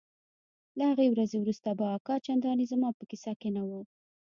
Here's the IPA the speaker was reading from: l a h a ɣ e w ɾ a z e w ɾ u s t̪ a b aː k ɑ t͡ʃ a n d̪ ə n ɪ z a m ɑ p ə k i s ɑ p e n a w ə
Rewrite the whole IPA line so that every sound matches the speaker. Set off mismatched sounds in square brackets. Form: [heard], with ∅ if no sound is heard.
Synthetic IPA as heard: l a h a ɣ e w ɾ a z e w ɾ u s t̪ a b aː k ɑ t͡ʃ a n d̪ [ɑ] n [i] z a m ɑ p ə k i s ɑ [k] e n a w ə